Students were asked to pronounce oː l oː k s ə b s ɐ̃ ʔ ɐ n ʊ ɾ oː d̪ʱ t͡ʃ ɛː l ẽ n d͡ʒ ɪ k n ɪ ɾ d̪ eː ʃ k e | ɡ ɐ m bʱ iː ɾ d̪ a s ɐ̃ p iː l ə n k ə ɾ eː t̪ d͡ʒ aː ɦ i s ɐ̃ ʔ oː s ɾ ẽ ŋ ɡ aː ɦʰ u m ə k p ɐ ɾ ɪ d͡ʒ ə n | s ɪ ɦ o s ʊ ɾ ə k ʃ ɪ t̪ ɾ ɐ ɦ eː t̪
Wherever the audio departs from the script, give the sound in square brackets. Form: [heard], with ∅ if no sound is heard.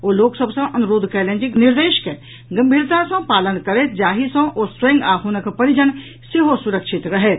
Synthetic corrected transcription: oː l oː k s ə b s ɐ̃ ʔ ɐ n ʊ ɾ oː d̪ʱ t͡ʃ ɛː l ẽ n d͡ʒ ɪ k n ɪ ɾ d̪ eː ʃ k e | ɡ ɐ m bʱ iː ɾ [t̪] a s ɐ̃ p [aː] l ə n k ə ɾ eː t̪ d͡ʒ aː ɦ i s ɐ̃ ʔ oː s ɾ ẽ ŋ ɡ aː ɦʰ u [n] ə k p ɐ ɾ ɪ d͡ʒ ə n | s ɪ ɦ o s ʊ ɾ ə k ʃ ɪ t̪ ɾ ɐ ɦ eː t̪